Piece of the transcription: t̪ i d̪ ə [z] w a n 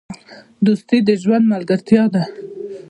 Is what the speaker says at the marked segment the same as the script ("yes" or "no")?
no